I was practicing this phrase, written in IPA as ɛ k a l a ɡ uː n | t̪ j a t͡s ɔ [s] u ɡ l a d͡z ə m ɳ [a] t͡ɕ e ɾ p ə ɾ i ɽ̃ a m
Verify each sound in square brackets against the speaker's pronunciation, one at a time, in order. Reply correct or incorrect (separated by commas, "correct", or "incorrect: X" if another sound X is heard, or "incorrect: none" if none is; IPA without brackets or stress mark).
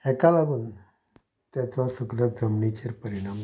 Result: correct, incorrect: i